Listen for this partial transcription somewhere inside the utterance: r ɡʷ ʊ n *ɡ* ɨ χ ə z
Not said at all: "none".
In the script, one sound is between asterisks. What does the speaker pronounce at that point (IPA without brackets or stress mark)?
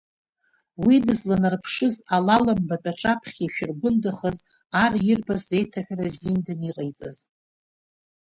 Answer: d